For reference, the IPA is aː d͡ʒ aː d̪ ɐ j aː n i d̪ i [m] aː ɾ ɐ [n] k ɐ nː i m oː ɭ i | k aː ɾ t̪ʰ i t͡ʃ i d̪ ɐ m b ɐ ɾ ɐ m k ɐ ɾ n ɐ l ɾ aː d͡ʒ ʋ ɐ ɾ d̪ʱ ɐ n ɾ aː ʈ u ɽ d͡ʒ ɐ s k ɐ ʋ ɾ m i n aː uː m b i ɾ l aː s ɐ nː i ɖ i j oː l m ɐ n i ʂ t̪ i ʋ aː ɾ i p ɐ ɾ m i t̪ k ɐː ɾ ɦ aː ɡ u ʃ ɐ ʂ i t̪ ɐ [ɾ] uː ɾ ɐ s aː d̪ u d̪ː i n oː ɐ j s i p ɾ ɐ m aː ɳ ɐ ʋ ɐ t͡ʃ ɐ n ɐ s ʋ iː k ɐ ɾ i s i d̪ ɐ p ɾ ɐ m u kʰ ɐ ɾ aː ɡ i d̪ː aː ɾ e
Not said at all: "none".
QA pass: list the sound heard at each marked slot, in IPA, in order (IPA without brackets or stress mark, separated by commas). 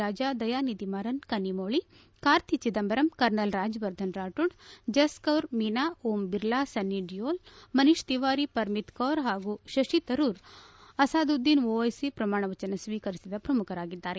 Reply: m, n, ɾ